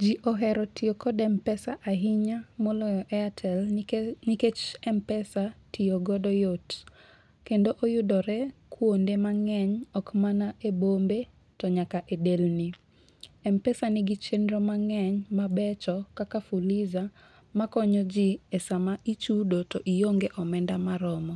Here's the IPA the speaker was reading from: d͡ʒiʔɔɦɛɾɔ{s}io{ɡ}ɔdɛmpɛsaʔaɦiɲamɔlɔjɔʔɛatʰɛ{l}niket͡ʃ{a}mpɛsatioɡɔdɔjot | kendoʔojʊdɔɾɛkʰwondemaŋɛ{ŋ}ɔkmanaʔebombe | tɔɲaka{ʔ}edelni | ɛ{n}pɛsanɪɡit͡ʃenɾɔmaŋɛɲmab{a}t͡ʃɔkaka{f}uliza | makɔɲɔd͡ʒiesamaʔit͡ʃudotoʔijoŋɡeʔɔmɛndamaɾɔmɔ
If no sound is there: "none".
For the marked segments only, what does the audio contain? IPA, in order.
t, k, l, ɛ, ɲ, ʔ, m, ɛ, f

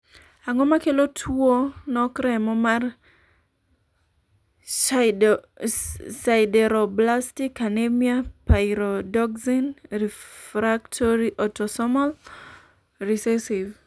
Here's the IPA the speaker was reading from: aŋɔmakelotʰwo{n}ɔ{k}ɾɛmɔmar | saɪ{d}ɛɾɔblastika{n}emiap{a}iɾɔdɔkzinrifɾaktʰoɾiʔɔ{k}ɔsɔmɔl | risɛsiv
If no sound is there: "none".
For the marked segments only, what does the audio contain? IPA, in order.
n, k, d, n, a, t

